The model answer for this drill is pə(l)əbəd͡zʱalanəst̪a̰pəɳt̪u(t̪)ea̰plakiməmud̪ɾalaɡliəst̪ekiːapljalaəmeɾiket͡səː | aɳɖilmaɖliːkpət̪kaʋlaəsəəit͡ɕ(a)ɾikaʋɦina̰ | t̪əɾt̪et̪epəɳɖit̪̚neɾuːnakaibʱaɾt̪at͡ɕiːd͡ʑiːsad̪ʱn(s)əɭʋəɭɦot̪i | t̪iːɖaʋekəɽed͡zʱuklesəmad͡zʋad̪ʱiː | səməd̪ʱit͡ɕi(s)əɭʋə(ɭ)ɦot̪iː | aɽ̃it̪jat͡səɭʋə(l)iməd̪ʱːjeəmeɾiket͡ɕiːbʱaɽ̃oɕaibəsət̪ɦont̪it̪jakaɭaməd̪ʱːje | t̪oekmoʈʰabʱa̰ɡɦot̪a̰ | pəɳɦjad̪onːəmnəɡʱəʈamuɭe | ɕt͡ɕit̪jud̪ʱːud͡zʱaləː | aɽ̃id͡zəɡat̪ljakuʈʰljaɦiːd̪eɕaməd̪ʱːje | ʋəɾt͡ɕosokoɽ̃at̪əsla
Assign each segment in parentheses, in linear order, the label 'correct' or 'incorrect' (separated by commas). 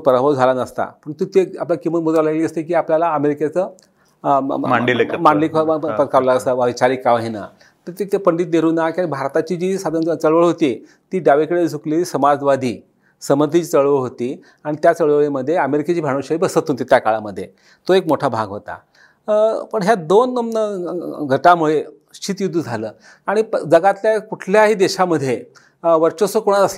incorrect, correct, correct, incorrect, incorrect, correct, incorrect